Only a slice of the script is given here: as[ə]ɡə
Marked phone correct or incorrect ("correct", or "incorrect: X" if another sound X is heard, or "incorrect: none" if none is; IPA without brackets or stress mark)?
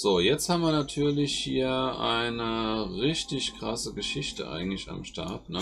correct